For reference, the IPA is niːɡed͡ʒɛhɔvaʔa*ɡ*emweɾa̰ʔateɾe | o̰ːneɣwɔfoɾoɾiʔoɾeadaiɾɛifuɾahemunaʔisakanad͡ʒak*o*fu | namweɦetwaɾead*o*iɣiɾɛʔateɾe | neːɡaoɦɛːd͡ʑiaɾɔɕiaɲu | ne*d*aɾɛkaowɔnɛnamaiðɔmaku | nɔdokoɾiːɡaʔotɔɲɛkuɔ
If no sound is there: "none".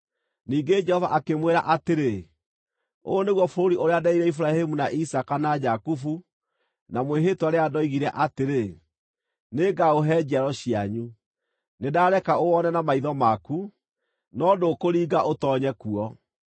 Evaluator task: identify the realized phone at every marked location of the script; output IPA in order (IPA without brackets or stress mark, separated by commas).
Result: k, u, ɔ, d